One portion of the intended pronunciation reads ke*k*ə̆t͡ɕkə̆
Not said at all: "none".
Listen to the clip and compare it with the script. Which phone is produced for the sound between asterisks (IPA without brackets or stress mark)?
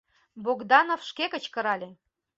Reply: k